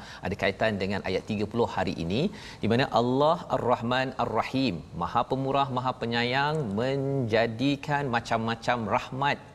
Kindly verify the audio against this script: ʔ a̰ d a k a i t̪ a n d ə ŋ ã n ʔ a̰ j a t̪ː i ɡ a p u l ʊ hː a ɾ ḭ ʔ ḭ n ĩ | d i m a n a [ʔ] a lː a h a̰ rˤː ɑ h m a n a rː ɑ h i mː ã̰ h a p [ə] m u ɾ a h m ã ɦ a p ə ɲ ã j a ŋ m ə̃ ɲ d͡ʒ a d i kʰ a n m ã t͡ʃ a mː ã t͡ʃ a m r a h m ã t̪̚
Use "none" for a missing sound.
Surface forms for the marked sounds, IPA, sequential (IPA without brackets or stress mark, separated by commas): ʔ, ə